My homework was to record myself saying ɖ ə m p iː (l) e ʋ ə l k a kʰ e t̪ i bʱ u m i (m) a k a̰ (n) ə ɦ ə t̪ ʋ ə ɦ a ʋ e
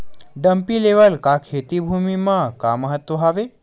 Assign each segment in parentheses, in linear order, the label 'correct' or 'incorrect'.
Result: correct, correct, incorrect: m

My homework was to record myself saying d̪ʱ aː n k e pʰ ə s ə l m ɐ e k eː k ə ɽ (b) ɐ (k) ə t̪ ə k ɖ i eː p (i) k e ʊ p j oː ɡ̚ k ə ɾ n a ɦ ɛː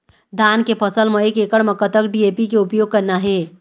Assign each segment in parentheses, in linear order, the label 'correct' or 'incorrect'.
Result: incorrect: m, correct, correct

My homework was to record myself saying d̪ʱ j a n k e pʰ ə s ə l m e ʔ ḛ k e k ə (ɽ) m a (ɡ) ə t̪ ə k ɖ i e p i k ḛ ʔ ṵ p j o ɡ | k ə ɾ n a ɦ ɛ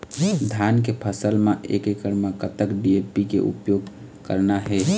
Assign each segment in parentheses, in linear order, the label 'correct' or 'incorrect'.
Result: incorrect: ɾ, incorrect: k

